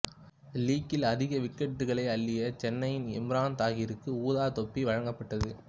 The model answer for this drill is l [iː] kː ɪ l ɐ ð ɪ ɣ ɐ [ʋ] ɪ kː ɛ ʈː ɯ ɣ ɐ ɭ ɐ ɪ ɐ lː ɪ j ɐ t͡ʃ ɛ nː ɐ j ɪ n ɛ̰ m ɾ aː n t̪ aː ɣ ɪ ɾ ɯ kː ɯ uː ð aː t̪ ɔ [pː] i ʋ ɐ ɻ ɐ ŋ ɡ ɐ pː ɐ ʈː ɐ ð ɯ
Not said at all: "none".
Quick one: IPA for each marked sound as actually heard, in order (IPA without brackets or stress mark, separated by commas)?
iː, ʋ, pː